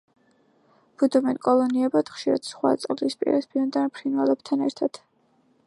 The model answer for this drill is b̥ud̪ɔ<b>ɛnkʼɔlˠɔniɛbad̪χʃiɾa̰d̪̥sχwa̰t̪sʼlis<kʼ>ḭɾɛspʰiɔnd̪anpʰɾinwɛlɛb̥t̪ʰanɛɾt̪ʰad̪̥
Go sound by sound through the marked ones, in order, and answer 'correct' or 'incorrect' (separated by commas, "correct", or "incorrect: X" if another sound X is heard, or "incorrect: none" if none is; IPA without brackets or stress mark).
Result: incorrect: m, incorrect: pʼ